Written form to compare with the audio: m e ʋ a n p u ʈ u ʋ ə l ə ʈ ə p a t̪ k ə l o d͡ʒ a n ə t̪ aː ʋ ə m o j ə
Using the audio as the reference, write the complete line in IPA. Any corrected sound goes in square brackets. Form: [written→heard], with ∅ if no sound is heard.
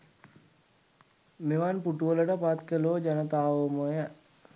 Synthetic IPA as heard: m e ʋ a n p u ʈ u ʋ ə l ə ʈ ə p a t̪ k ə l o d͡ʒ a n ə t̪ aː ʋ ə m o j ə